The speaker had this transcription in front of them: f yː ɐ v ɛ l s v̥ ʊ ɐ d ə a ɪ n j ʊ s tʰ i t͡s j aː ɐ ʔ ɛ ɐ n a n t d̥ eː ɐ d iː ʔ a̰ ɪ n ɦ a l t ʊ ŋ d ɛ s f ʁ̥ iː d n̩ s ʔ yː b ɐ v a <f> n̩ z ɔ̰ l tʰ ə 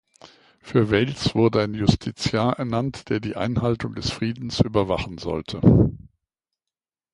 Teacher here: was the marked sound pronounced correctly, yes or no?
no